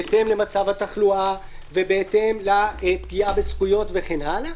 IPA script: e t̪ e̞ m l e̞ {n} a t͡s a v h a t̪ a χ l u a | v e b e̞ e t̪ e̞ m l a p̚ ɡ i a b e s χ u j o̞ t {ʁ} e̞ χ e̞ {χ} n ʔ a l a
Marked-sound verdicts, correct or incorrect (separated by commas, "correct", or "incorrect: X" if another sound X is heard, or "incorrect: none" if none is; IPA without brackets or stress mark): incorrect: m, incorrect: v, incorrect: none